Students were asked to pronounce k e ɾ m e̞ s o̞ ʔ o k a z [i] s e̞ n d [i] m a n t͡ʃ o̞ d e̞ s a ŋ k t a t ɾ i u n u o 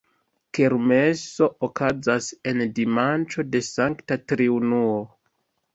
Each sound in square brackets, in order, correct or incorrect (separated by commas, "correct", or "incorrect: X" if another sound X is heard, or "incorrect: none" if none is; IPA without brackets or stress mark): incorrect: a, correct